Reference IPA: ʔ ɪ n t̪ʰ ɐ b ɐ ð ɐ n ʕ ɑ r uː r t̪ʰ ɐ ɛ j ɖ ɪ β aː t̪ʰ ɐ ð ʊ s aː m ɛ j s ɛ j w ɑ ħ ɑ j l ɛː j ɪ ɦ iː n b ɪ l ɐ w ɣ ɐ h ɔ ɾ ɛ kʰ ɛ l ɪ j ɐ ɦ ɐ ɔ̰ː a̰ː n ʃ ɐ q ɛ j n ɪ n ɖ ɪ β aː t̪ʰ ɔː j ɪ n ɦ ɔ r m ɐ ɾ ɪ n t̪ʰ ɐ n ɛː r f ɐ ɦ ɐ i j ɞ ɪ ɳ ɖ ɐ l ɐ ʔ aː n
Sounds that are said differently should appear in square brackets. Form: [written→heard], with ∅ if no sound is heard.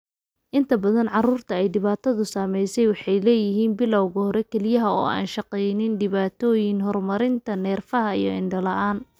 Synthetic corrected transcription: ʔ ɪ n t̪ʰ ɐ b ɐ ð ɐ n ʕ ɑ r uː r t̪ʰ ɐ ɛ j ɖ ɪ β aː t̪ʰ ɐ ð ʊ s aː m ɛ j s ɛ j w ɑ ħ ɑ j l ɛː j ɪ ɦ iː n b ɪ l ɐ w ɣ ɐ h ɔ ɾ ɛ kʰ ɛ l ɪ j ɐ ɦ ɐ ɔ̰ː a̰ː n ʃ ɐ q ɛ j n ɪ n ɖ ɪ β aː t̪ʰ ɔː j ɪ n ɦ ɔ r m ɐ ɾ ɪ n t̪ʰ ɐ n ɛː r f ɐ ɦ ɐ i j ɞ ɪ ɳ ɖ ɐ l ɐ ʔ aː n